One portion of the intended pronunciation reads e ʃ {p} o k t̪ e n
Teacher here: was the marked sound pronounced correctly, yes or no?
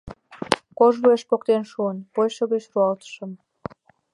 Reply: yes